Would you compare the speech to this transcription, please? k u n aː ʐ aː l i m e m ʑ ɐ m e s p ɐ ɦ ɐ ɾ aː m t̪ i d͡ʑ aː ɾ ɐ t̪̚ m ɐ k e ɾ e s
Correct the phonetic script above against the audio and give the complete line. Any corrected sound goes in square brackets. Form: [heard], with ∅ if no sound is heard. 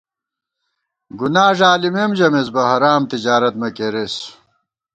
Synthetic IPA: [ɡ] u n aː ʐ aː l i m e m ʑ ɐ m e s [b] ɐ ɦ ɐ ɾ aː m t̪ i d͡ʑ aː ɾ ɐ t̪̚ m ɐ k e ɾ e s